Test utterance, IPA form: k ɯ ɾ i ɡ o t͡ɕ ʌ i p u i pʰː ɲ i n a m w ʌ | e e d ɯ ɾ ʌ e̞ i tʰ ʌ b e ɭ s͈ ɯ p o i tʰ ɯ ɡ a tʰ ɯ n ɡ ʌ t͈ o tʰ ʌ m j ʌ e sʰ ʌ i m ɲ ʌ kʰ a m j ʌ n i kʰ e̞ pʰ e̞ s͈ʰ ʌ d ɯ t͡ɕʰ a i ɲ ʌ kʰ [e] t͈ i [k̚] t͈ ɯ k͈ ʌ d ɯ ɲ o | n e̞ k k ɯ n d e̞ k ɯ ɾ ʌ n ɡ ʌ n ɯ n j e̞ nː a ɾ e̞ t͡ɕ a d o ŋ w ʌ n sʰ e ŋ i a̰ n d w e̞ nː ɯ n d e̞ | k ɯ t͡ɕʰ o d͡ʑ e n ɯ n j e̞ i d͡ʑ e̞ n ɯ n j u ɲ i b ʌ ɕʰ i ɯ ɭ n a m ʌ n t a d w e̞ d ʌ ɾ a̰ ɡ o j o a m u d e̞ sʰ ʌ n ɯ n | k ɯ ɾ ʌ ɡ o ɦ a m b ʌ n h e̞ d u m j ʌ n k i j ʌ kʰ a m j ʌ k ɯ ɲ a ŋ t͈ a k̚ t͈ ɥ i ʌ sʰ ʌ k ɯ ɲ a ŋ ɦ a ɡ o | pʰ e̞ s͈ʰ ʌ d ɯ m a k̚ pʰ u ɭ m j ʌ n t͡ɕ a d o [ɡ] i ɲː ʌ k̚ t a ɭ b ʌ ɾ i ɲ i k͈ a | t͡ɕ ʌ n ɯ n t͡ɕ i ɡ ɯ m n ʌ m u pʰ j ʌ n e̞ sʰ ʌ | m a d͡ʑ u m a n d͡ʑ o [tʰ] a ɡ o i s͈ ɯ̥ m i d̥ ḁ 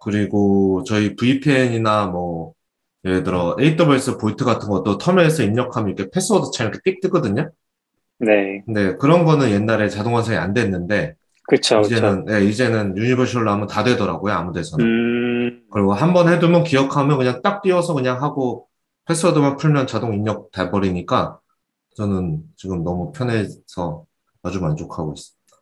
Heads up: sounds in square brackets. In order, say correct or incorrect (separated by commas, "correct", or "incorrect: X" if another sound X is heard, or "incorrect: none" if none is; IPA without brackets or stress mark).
correct, correct, incorrect: ŋ, incorrect: kʰ